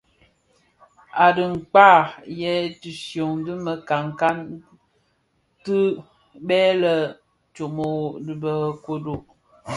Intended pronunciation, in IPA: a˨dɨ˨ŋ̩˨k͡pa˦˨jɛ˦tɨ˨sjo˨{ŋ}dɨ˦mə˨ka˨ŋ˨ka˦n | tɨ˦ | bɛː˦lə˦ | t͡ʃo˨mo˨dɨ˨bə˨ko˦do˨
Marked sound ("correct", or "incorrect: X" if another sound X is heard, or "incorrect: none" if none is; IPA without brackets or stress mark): correct